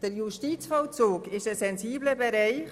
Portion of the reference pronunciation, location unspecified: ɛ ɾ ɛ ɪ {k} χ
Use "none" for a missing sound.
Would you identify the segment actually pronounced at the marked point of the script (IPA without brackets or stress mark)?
none